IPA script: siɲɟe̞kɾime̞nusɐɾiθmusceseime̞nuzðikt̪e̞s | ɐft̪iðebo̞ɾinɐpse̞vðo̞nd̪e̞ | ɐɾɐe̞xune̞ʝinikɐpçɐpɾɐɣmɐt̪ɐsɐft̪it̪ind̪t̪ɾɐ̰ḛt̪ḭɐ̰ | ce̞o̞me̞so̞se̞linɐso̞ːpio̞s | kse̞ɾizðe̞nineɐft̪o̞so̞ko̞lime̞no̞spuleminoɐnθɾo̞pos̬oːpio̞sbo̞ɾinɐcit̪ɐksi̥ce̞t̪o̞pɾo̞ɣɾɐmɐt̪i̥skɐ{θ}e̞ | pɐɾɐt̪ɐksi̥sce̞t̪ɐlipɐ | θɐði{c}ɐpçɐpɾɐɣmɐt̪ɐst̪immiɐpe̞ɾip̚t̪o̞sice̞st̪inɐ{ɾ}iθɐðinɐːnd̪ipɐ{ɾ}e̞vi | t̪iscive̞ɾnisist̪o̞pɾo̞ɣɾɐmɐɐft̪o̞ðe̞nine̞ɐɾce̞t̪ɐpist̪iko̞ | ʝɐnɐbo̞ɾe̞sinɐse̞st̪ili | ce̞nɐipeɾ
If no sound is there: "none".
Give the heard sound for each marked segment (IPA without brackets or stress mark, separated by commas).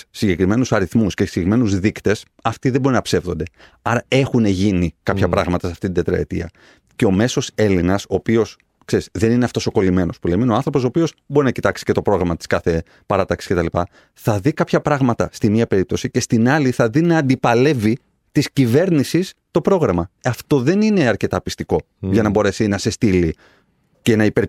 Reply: θ, k, l, l